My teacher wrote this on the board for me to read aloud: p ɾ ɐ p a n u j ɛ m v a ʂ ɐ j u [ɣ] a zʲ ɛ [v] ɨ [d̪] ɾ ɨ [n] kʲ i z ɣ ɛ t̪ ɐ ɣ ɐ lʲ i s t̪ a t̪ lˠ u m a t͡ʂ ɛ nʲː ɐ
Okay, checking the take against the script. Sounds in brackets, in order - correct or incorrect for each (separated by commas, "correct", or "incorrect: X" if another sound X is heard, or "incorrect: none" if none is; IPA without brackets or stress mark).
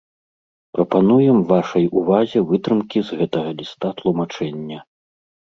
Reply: incorrect: v, correct, incorrect: t̪, incorrect: m